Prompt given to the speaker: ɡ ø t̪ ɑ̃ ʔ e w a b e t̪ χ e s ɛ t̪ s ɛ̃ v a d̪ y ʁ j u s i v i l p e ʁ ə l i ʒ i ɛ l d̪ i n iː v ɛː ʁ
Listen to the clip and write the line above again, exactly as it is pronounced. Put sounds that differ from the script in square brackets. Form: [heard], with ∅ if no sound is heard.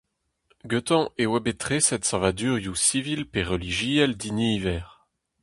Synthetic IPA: ɡ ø t̪ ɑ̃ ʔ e w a b e t̪ χ e s ɛ t̪ s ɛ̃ v a d̪ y ʁ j u s i v i l p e ʁ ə l i ʒ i ɛ l d̪ i n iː v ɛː ʁ